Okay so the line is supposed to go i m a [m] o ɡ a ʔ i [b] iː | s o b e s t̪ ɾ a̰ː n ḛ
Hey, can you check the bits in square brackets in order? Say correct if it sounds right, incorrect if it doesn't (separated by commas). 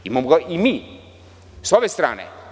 correct, incorrect